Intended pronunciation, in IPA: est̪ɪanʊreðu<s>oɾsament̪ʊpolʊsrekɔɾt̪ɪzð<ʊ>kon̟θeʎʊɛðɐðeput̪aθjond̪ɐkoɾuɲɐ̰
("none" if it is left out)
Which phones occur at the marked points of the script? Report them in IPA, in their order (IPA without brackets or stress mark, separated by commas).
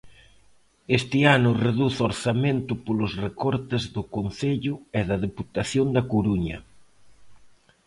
θ, ʊ